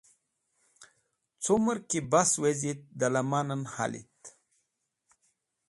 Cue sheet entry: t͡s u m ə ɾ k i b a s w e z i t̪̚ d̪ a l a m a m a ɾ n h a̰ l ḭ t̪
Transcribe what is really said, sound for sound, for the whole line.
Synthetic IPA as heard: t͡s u m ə ɾ k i b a s w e z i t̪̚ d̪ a l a m a n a n h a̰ l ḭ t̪